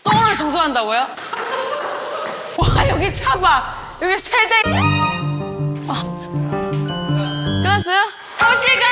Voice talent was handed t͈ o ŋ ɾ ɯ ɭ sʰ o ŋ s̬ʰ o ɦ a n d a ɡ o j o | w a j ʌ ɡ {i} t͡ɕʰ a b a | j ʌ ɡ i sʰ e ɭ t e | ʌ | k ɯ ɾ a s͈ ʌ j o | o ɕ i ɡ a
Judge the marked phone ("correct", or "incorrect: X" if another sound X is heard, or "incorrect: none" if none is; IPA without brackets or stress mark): correct